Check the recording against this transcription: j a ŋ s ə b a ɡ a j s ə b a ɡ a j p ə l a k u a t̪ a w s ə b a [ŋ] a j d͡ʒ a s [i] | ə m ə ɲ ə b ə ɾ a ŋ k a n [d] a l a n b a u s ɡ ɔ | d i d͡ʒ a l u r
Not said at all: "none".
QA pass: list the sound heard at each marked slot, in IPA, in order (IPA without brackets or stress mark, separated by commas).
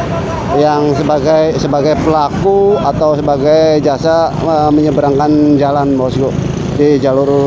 ɡ, a, d͡ʒ